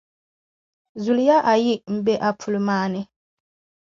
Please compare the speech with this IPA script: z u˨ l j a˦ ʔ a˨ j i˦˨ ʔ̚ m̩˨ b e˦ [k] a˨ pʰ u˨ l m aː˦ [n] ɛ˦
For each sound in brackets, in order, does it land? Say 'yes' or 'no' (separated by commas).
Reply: no, yes